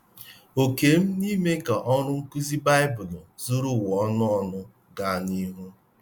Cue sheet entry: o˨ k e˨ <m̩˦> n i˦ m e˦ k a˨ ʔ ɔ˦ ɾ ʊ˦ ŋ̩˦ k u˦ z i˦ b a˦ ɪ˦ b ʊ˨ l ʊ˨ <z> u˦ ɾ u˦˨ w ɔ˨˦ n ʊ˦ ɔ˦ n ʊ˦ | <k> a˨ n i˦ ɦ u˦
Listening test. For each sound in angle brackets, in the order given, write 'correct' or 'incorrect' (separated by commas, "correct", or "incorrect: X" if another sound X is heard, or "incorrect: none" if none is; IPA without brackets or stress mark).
correct, correct, incorrect: ɡ